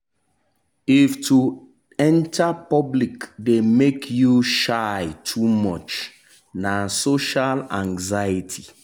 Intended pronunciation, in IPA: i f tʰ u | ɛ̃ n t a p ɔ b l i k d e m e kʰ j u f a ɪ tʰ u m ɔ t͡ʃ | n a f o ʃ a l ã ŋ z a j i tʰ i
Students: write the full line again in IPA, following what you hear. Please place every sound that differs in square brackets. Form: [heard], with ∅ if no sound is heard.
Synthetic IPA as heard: i f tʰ u | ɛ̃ n t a p ɔ b l i k d e m e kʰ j u [ʃ] a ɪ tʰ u m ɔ t͡ʃ | n a [s] o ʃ a l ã ŋ z a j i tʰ i